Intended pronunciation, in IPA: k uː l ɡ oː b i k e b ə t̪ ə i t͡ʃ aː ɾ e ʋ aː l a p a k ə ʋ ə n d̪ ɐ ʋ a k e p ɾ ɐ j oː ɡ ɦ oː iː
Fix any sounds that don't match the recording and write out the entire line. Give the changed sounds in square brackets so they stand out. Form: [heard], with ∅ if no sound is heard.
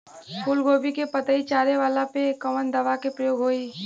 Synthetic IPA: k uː l ɡ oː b i k e [p] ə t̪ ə i t͡ʃ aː ɾ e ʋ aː l a p [e] k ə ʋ ə n d̪ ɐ ʋ a k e p ɾ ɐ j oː ɡ ɦ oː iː